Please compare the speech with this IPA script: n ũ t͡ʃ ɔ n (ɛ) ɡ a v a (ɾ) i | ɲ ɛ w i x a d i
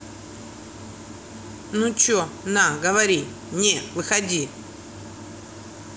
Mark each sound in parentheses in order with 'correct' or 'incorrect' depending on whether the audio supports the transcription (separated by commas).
incorrect, correct